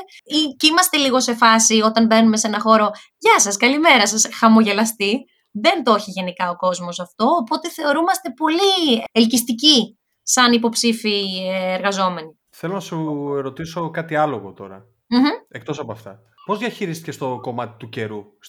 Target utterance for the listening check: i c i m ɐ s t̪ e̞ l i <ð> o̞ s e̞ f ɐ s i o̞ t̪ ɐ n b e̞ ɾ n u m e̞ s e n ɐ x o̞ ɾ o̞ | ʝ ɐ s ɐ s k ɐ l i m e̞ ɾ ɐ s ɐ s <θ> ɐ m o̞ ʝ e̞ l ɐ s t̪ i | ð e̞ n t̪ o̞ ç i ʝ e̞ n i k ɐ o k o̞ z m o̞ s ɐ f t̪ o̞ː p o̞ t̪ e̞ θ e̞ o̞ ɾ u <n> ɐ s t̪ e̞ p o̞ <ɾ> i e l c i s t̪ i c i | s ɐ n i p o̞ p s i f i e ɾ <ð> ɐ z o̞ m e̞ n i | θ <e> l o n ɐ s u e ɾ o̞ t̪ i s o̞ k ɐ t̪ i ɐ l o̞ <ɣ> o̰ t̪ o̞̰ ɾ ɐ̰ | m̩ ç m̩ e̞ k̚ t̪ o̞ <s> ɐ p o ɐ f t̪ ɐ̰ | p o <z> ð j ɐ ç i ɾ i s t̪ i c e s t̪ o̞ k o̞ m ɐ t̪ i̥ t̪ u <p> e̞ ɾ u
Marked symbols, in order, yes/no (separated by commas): no, no, no, no, no, yes, yes, yes, yes, no